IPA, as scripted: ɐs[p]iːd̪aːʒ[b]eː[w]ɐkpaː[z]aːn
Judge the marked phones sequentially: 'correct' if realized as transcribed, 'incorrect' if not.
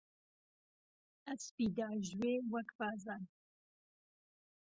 correct, incorrect: w, correct, correct

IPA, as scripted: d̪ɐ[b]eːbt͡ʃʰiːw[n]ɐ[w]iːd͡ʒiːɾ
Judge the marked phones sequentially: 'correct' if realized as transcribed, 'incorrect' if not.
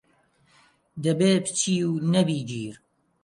correct, correct, incorrect: b

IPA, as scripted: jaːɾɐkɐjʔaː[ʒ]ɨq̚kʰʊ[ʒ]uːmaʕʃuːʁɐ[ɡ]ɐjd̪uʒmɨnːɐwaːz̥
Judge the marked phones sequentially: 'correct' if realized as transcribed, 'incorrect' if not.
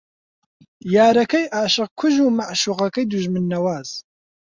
incorrect: ʃ, correct, incorrect: k

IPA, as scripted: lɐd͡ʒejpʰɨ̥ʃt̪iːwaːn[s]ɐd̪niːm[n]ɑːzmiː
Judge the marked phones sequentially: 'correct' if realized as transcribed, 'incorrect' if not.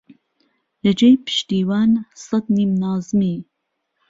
correct, correct

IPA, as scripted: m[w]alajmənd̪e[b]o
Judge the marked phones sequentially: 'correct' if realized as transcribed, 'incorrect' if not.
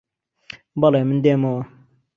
incorrect: b, incorrect: m

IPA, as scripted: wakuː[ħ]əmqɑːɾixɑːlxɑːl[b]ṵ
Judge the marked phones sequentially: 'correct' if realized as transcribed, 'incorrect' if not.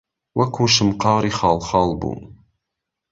incorrect: ʃ, correct

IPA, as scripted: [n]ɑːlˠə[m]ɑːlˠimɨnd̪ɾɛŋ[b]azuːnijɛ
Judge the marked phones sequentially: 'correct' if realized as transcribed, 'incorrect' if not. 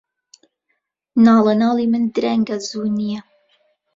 correct, incorrect: n, incorrect: ɡ

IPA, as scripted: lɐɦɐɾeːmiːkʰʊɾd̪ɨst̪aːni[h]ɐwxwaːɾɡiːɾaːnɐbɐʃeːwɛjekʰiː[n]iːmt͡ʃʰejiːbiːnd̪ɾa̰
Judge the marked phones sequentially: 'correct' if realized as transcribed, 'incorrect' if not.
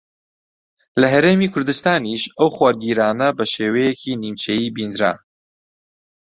incorrect: ʃ, correct

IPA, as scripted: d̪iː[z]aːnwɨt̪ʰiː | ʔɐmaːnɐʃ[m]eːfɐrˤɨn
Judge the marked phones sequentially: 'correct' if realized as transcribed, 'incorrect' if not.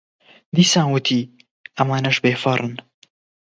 incorrect: s, incorrect: b

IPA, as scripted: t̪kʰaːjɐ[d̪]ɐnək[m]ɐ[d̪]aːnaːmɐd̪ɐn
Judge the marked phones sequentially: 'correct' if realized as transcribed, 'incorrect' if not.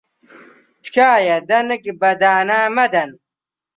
correct, incorrect: b, correct

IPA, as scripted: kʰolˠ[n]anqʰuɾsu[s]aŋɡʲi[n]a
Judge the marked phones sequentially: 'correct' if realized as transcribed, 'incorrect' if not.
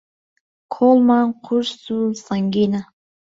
incorrect: m, correct, correct

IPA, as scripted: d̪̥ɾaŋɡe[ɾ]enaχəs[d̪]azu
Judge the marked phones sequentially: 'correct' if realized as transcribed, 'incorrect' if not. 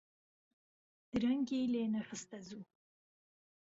incorrect: l, incorrect: t̪

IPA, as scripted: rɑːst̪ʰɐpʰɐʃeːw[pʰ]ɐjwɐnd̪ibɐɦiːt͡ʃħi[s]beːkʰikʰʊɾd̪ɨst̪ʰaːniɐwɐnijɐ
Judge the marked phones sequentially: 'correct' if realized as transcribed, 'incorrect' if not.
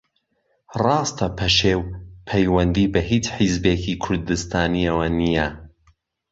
correct, incorrect: z

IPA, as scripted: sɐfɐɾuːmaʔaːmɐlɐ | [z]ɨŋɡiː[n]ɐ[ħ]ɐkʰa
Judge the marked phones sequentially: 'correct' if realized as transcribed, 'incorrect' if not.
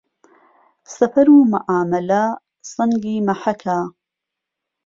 incorrect: s, incorrect: m, correct

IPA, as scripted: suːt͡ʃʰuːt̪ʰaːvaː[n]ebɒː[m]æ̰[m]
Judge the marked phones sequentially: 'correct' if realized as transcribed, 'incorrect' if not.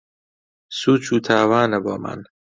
correct, correct, incorrect: n

